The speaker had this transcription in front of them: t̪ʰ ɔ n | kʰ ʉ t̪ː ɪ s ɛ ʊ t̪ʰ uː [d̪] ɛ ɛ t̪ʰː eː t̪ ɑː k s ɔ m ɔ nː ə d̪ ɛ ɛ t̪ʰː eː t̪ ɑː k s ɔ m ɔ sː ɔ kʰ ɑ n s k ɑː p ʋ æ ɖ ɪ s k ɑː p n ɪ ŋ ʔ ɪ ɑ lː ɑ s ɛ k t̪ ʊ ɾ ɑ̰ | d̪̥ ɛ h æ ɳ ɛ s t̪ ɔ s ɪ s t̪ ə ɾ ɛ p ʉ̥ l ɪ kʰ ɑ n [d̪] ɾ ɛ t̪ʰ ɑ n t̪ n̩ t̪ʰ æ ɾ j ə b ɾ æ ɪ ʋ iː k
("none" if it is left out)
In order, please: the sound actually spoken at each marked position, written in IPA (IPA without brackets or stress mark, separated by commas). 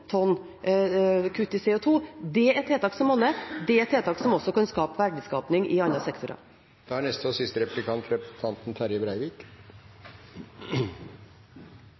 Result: d̪, t̪